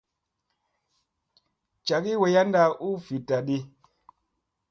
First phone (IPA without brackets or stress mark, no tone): t͡ʃ